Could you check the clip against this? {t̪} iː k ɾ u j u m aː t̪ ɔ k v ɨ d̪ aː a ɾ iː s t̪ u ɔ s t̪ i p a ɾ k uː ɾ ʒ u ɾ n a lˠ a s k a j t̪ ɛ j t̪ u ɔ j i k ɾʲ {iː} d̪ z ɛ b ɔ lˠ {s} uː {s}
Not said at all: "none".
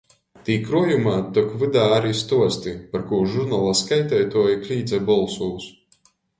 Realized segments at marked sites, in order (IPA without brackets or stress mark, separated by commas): t̪, iː, s, s